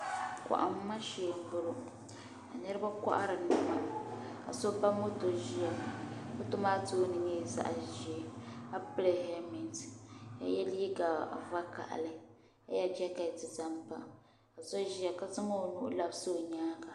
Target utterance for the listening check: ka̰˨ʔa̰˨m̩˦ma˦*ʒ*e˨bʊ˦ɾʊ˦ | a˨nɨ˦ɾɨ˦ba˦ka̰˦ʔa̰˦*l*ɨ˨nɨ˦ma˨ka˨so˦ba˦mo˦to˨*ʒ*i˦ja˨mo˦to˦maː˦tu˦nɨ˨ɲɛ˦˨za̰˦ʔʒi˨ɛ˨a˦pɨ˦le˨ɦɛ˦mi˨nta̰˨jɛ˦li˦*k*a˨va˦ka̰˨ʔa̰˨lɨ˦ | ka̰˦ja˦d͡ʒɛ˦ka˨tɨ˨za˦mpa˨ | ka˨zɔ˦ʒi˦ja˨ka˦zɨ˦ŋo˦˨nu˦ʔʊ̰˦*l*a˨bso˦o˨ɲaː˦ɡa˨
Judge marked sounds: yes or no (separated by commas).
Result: no, no, yes, no, yes